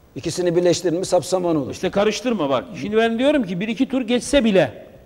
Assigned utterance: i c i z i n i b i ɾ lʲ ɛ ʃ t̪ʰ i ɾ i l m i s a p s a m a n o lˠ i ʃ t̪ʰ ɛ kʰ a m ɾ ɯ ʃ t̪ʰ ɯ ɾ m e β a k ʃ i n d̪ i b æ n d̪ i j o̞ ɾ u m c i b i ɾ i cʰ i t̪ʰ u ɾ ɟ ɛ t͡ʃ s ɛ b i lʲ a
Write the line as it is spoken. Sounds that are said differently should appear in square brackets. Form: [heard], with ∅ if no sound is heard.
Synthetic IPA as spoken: i c i [s] i n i b i ɾ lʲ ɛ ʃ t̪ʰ i ɾ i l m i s a p s a m a n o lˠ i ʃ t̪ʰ ɛ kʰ a [∅] ɾ ɯ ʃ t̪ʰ ɯ ɾ m [a] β a k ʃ i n d̪ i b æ n d̪ i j o̞ ɾ u m c i b i ɾ i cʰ i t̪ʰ u ɾ ɟ ɛ t͡ʃ s ɛ b i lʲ [ɛ]